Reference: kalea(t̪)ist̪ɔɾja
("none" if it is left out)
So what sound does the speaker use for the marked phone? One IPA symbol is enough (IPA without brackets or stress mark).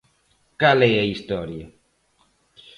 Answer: none